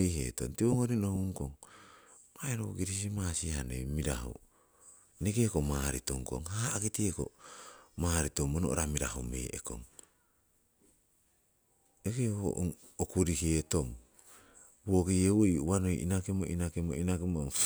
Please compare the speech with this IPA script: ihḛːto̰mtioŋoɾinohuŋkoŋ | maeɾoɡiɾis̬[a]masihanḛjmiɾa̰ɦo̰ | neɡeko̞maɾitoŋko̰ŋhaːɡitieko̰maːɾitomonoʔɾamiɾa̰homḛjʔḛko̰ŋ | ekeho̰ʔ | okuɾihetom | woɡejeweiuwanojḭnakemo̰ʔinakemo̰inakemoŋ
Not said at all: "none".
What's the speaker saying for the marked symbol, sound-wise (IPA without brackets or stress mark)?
i